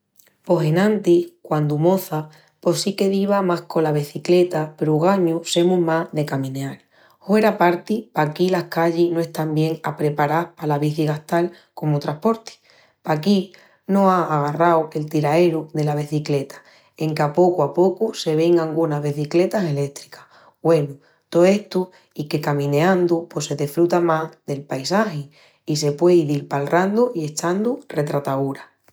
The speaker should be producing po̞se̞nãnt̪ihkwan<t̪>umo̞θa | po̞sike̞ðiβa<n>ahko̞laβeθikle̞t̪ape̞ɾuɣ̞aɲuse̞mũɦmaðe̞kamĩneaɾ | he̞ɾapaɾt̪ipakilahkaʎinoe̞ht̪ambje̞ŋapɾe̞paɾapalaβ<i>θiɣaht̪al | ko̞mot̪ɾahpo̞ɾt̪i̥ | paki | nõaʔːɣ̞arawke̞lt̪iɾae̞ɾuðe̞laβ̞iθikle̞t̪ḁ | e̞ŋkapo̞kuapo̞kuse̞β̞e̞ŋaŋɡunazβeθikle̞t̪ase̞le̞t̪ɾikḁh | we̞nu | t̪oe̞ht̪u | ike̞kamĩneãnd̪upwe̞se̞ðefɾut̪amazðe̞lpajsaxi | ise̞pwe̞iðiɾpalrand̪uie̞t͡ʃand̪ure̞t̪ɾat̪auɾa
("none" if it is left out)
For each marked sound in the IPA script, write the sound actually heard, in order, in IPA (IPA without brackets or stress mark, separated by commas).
d̪, m, i